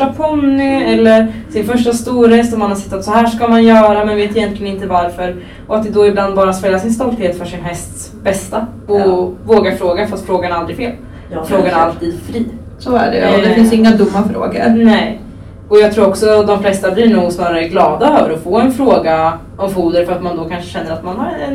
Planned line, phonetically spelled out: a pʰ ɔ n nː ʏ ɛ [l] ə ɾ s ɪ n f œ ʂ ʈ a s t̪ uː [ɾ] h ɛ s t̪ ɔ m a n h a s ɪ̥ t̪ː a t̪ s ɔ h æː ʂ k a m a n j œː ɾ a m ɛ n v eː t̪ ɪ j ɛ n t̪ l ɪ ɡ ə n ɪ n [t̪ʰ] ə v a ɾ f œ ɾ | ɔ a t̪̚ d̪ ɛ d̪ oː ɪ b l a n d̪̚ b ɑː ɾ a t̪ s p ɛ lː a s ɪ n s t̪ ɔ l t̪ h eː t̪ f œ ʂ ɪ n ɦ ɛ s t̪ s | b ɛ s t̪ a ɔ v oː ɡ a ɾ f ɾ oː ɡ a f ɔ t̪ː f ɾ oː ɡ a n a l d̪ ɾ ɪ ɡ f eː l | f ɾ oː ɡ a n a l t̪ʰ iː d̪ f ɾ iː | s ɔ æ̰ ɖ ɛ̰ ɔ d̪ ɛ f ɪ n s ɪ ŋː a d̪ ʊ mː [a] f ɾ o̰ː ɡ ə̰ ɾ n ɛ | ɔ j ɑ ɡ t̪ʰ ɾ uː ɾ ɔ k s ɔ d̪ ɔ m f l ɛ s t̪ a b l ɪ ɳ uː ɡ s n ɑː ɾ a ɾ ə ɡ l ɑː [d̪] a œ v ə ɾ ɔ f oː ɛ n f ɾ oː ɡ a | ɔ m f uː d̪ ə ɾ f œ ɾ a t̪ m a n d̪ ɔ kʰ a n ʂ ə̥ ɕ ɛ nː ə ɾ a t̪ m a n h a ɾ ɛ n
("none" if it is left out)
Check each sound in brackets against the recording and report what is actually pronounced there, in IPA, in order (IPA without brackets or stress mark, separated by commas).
lː, ɾ, t̪, a, d̪